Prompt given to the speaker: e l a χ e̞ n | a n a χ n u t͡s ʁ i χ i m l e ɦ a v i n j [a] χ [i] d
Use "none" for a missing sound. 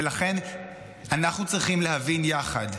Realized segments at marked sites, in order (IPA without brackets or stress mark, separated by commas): a, a